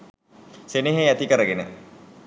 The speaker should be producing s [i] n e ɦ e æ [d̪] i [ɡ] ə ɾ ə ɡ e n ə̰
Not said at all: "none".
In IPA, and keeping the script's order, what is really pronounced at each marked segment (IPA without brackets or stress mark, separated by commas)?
e, t̪, k